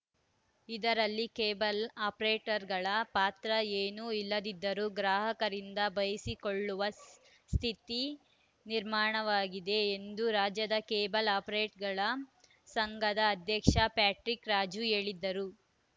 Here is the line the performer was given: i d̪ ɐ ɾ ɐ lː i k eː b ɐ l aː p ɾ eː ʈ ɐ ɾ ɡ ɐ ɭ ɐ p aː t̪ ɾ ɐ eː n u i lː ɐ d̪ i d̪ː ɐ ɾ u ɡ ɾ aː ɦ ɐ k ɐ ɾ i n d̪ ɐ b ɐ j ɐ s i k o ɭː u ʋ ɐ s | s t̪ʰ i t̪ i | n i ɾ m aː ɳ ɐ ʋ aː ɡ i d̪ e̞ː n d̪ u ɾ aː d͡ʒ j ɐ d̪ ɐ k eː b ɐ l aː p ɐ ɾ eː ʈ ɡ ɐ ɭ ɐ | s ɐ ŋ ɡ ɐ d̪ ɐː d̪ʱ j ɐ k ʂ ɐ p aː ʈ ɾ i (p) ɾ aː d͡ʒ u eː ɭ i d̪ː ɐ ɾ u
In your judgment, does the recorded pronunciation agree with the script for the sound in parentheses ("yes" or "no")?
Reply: no